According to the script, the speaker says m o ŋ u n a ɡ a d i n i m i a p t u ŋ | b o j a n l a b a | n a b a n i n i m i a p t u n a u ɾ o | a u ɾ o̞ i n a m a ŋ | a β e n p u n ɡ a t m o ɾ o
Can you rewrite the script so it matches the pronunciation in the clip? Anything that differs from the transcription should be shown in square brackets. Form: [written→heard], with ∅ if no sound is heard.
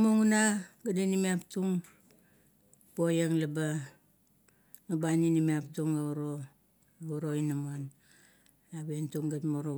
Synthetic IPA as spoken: m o ŋ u n a ɡ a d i n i m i a p t u ŋ | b o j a [n→ŋ] l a b a | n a b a n i n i m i a p t u [n→ŋ] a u ɾ o | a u ɾ o̞ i n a m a [ŋ→n] | a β e n [p→t] u [n→ŋ] ɡ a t m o ɾ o